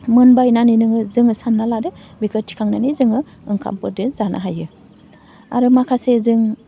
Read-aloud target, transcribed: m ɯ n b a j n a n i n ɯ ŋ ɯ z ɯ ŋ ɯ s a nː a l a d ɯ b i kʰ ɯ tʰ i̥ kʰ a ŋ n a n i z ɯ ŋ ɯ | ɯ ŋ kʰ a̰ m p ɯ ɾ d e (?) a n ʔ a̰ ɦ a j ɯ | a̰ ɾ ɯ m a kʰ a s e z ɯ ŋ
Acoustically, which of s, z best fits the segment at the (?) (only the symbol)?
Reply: z